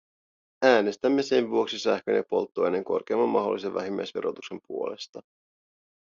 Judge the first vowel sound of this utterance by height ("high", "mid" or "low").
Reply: low